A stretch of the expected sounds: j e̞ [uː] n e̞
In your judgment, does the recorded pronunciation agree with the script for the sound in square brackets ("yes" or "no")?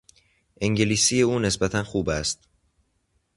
yes